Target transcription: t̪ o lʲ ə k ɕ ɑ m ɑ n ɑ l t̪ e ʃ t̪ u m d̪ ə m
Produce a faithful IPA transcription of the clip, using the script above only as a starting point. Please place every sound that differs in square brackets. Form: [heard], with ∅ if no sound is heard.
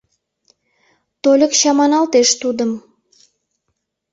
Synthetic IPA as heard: t̪ o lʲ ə k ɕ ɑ m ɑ n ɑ l t̪ e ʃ t̪ u [∅] d̪ ə m